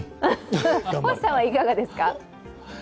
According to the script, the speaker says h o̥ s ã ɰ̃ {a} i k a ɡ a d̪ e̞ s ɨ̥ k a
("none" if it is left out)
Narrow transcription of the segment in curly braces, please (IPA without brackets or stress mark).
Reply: a